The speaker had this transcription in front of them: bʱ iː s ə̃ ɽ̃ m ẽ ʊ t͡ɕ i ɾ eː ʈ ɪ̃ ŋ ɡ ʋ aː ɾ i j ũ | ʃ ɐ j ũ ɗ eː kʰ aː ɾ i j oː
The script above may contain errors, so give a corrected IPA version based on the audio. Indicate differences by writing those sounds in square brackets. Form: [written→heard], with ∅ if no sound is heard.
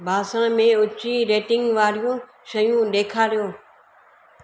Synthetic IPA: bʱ [iː→aː] s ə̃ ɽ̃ m ẽ ʊ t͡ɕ i ɾ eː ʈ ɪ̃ ŋ ɡ ʋ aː ɾ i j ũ | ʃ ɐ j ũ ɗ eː kʰ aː ɾ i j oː